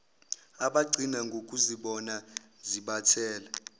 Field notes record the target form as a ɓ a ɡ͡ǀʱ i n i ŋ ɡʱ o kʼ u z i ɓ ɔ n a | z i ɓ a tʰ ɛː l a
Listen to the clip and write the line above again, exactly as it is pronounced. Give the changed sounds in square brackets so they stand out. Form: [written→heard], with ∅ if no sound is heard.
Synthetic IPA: a ɓ a ɡ͡ǀʱ i n [i→a] ŋ ɡʱ o kʼ u z i ɓ ɔ n a | z i ɓ a tʰ ɛː l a